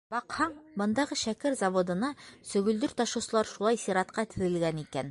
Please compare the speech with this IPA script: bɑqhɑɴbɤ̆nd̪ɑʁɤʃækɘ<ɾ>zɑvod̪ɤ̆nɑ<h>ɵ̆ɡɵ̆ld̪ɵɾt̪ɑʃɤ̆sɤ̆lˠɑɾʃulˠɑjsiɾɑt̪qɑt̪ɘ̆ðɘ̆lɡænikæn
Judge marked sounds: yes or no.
yes, no

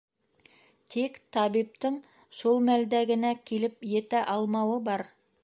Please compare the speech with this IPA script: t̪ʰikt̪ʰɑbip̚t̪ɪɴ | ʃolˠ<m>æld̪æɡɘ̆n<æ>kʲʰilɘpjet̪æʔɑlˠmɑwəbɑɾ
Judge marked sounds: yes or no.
yes, yes

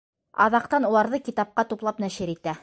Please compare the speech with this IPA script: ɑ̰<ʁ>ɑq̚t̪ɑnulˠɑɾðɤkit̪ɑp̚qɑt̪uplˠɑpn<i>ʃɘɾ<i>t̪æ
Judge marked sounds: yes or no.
no, no, yes

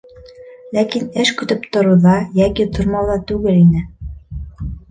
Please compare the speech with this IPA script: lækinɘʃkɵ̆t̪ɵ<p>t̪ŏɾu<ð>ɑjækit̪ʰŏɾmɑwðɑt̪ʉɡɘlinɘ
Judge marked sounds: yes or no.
yes, yes

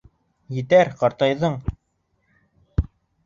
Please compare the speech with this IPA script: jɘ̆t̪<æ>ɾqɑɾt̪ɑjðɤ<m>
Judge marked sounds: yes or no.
yes, no

